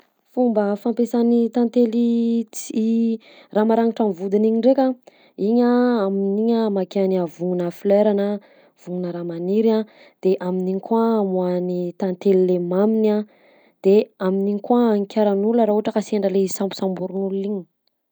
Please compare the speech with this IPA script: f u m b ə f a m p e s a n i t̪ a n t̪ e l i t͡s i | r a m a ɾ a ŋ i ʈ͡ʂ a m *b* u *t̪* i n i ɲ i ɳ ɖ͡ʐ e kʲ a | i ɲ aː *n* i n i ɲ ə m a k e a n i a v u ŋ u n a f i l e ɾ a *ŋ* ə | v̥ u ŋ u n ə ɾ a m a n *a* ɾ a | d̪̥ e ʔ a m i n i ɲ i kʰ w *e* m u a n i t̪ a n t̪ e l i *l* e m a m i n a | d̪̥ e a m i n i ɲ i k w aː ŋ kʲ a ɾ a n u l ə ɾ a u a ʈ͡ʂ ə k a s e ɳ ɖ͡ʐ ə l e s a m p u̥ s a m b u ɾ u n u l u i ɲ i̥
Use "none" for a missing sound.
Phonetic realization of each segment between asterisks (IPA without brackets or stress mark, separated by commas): v, d̪, m, n, i, a, l